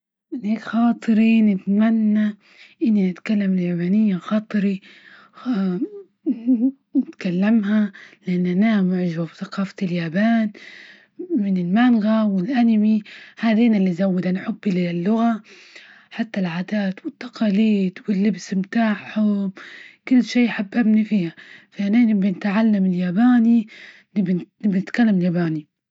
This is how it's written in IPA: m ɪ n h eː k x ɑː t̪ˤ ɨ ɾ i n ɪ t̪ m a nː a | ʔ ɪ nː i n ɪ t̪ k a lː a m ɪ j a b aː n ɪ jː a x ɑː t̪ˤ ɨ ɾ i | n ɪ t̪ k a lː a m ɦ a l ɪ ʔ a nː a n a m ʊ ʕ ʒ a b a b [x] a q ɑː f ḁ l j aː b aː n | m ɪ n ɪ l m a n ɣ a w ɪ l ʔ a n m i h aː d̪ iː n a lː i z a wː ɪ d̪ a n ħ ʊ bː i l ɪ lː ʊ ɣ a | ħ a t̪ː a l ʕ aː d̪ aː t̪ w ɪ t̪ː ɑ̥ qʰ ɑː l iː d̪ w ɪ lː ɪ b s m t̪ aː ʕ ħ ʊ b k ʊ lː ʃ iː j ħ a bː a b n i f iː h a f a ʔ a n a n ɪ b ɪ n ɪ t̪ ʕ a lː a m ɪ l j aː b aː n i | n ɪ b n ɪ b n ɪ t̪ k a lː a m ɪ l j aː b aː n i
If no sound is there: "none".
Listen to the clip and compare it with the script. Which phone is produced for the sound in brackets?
θ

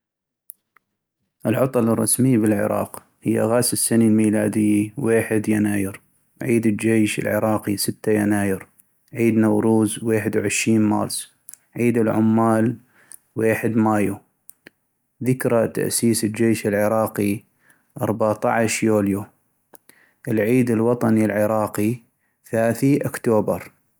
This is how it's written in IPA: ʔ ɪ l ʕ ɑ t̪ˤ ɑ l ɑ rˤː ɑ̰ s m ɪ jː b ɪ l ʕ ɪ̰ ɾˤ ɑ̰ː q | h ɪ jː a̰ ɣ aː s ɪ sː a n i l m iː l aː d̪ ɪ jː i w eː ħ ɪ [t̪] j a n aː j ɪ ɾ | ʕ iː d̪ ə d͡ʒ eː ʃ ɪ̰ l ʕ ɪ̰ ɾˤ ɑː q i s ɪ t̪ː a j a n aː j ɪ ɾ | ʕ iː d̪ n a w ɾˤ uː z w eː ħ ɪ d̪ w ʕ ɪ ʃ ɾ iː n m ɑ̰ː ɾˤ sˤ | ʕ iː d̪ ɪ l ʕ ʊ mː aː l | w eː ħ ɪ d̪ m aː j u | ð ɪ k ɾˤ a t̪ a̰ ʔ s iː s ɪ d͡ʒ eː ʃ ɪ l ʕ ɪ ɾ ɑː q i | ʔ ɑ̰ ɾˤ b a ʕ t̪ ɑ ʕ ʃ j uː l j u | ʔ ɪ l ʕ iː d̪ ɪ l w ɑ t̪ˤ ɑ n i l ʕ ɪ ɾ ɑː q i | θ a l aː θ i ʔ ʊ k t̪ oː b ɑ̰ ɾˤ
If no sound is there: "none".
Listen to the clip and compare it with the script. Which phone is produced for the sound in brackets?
d̪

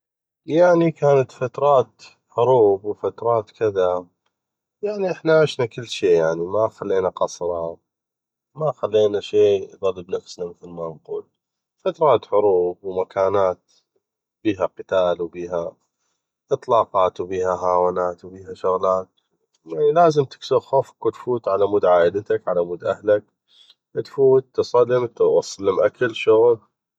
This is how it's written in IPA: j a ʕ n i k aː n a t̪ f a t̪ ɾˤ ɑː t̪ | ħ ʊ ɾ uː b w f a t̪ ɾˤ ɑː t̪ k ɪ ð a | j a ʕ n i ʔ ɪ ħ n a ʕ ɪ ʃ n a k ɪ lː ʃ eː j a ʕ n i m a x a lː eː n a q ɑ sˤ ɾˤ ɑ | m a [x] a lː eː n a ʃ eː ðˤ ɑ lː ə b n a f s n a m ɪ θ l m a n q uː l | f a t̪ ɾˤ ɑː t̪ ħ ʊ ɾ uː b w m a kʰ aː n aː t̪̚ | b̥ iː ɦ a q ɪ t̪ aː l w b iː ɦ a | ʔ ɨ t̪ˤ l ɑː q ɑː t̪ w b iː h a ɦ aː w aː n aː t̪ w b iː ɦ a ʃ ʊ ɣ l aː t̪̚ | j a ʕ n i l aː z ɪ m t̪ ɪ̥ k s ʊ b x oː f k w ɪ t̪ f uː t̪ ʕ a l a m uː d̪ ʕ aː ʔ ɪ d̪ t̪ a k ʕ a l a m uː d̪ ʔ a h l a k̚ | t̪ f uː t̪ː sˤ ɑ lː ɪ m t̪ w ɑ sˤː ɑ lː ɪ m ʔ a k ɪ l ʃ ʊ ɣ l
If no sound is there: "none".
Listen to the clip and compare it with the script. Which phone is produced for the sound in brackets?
x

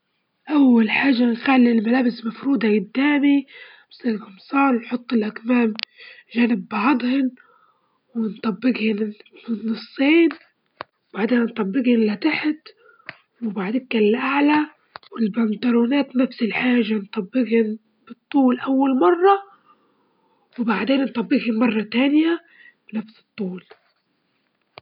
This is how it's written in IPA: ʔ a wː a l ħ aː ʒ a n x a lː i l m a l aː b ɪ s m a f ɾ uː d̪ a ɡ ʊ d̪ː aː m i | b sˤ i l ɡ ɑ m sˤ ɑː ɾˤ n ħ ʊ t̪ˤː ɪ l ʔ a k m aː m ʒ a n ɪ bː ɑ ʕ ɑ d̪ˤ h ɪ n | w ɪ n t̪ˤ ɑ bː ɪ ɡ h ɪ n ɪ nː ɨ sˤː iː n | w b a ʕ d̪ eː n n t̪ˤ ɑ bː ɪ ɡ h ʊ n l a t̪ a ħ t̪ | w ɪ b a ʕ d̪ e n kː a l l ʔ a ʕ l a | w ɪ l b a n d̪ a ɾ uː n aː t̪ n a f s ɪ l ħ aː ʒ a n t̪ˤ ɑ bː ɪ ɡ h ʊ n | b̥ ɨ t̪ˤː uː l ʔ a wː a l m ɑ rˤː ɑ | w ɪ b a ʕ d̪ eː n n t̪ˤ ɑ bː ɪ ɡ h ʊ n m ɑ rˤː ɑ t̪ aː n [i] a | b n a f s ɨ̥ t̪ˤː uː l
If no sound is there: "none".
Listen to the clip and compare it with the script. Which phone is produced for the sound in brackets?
j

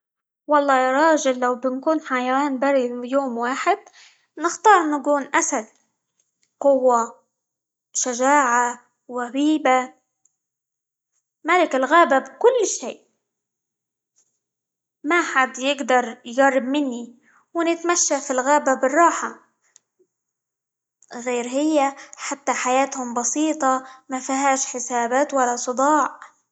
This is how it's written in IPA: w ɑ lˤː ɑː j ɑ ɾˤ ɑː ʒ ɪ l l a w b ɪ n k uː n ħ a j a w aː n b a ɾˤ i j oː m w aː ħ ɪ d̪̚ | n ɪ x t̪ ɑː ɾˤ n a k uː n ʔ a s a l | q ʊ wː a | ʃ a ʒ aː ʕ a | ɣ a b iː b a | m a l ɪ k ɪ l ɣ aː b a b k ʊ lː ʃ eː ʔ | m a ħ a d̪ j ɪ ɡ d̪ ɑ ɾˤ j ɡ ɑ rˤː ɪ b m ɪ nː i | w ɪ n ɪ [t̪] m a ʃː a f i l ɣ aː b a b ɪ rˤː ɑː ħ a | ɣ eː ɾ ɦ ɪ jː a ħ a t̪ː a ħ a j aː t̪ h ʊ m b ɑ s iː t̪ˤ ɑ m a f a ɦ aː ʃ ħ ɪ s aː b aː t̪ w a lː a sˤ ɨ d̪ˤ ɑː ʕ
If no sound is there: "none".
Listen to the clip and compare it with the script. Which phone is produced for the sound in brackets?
t̪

